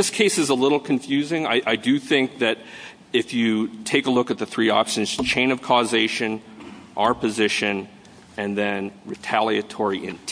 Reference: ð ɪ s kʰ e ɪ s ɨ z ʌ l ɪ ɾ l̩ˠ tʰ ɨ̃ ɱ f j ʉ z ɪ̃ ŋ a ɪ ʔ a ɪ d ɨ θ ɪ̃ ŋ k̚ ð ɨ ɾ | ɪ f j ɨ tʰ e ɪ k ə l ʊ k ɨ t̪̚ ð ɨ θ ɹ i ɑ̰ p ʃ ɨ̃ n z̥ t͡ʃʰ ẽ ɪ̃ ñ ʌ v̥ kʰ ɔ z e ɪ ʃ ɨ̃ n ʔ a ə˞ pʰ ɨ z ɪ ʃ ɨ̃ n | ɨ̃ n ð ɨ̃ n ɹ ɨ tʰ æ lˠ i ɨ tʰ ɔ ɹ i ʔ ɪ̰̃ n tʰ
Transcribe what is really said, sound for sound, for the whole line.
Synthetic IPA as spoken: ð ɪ s kʰ e ɪ s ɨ z ə l ɪ ɾ l̩ˠ kʰ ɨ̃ ɱ f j ʉ z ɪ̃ ŋ a ɪ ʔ a ɪ d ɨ θ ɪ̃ ŋ k̚ ð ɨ ɾ | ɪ f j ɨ tʰ e ɪ k ə l ʊ k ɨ t̪̚ ð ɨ θ ɹ i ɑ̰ p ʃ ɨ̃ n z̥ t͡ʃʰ ẽ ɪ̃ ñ ʌ v̥ kʰ ɔ z e ɪ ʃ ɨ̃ n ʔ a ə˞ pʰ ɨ z ɪ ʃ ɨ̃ n | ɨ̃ n ð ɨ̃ n ɹ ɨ tʰ æ lˠ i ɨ tʰ ɔ ɹ i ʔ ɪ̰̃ n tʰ